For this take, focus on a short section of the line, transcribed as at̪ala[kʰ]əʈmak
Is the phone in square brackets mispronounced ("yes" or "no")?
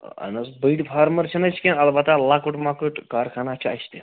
yes